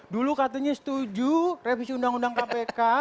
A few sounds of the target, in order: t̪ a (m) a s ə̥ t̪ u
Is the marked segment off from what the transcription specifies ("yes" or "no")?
yes